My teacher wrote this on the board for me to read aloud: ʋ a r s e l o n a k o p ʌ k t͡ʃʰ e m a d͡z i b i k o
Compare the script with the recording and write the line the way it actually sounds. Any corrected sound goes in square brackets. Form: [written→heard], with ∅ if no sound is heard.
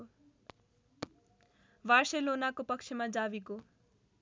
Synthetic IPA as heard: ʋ a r s e l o n a k o p ʌ k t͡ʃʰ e m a d͡z [i→a] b i k o